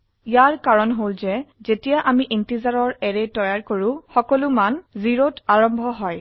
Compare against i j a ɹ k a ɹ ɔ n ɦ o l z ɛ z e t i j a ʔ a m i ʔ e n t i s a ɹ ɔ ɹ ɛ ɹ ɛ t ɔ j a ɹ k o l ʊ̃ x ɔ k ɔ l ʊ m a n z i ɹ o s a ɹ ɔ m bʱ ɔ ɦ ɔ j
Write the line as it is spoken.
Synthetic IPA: i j a ɹ k a ɹ ɔ n ɦ o l z ɛ z e t i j a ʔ a m i ʔ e n t i z a ɹ ɔ ɹ ɛ ɹ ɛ t ɔ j a ɹ k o ɹ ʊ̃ x ɔ k ɔ l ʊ m a n z i ɹ o t a ɹ ɔ m bʱ ɔ ɦ ɔ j